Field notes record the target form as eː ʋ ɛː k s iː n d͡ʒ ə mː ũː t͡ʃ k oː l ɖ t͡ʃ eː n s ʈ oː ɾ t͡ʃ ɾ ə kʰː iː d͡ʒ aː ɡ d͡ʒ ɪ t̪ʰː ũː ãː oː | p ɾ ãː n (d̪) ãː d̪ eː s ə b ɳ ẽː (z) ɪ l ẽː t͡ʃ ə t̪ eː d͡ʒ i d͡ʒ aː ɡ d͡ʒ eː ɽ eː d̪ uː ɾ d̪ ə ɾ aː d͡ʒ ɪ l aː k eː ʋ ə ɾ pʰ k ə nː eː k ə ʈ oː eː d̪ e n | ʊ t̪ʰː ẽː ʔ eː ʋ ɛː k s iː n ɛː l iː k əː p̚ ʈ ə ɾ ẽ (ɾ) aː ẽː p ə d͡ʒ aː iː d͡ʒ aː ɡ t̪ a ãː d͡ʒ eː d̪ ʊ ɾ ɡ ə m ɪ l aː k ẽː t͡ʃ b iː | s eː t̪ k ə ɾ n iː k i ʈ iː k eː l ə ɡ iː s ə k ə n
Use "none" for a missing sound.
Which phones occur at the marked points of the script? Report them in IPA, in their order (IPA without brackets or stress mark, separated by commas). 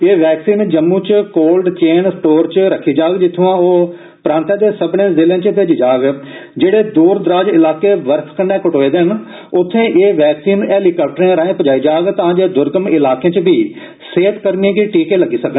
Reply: t̪, z, ɾ